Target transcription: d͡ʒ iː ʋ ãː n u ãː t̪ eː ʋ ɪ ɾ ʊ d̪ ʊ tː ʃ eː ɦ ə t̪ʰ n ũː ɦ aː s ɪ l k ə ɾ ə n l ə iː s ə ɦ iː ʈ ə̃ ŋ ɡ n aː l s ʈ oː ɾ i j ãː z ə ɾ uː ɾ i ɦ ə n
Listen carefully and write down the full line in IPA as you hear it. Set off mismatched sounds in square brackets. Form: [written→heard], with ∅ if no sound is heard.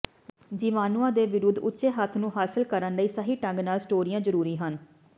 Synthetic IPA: d͡ʒ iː ʋ [ãː→aː] n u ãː [t̪→d̪] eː ʋ ɪ ɾ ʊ d̪ ʊ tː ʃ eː ɦ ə t̪ʰ n ũː ɦ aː s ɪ l k ə ɾ ə n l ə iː s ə ɦ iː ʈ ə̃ ŋ ɡ n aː l s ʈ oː ɾ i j ãː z ə ɾ uː ɾ [i→iː] ɦ ə n